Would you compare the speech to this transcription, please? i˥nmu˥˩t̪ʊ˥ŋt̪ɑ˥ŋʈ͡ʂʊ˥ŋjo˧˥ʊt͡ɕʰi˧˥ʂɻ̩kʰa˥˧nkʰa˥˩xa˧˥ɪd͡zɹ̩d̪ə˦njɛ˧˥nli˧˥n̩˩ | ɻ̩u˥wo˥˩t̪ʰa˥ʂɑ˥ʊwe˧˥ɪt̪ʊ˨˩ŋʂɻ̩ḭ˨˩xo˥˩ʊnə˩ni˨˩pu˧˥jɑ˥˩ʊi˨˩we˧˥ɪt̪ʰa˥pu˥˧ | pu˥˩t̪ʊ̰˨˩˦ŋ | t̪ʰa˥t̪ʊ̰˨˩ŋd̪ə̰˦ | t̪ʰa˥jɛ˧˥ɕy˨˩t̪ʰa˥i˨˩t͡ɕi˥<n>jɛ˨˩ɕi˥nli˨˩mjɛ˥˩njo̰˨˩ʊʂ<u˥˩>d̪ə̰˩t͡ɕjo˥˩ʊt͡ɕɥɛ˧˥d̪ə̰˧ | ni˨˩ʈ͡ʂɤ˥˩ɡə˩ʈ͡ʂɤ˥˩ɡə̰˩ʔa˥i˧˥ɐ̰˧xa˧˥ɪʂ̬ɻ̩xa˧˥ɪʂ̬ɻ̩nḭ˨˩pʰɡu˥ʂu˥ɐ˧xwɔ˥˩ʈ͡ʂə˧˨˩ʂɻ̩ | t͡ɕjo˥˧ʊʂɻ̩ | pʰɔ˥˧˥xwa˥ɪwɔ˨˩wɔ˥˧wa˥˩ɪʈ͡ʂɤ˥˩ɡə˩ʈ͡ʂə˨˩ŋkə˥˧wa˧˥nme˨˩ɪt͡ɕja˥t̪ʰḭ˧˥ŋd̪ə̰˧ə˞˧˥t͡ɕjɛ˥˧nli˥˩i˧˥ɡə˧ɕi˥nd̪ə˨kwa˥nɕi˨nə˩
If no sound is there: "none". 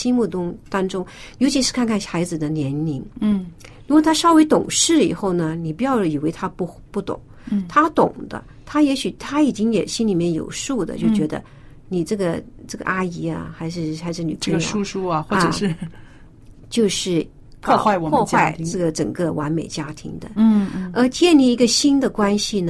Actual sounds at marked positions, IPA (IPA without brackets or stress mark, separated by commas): ŋ, u˥˩